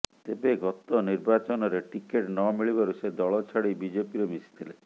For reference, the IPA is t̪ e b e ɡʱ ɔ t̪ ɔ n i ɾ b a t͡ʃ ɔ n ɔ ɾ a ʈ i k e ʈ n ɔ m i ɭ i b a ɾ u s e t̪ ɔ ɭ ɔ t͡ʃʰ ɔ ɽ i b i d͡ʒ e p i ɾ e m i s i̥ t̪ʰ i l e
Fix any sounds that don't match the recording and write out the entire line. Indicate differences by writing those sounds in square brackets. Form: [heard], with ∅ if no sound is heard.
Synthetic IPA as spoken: t̪ e b e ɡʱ ɔ t̪ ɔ n i ɾ b a t͡ʃ ɔ n ɔ ɾ [e] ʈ i k e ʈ n ɔ m i ɭ i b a ɾ u s e [d̪] ɔ ɭ ɔ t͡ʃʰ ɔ ɽ i b i d͡ʒ e p i ɾ e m i s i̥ t̪ʰ i l e